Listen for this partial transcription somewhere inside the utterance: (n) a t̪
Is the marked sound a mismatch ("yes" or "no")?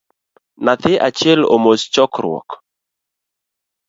no